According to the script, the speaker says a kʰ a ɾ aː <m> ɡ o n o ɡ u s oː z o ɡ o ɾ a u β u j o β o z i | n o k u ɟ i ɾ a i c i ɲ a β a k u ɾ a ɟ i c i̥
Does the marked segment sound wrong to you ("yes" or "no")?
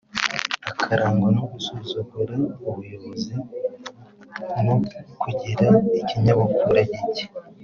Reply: yes